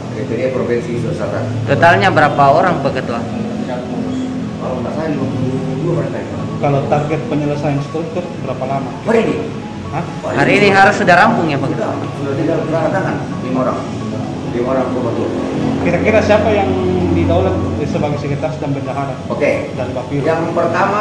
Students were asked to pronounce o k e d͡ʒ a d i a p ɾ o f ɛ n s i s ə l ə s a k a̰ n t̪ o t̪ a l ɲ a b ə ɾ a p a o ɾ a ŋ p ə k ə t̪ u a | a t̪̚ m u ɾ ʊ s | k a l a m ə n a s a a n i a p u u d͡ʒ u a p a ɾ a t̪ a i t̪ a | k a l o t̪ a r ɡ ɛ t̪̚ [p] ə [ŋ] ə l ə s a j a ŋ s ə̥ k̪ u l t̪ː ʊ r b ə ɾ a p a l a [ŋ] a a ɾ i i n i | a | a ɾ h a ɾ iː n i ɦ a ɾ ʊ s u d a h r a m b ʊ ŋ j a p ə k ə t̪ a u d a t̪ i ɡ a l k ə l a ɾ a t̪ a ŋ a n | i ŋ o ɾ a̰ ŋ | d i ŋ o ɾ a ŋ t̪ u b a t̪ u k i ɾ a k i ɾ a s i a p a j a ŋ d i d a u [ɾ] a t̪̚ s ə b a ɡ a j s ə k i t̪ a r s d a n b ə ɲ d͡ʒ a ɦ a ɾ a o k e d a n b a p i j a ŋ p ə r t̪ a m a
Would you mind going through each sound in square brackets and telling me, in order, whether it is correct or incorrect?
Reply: correct, incorrect, incorrect, incorrect

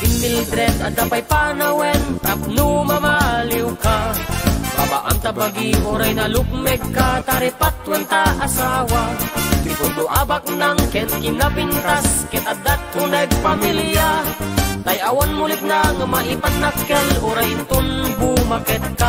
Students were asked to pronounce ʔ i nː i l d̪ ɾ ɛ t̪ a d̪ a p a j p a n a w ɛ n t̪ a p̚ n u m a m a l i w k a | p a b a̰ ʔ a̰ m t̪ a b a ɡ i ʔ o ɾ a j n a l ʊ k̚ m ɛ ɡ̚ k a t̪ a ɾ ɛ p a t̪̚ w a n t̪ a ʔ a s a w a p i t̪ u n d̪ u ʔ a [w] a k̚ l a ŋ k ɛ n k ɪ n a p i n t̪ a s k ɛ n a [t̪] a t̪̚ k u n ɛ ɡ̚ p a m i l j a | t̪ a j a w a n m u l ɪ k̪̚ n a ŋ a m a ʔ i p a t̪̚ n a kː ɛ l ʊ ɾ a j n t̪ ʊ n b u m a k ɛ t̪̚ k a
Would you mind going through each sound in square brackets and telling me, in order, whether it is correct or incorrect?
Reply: incorrect, incorrect

